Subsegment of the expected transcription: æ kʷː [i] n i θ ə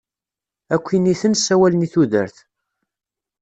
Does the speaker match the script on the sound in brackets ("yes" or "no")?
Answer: yes